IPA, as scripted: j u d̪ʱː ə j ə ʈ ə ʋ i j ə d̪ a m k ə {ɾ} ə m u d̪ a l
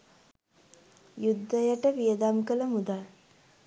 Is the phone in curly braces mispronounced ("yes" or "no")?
yes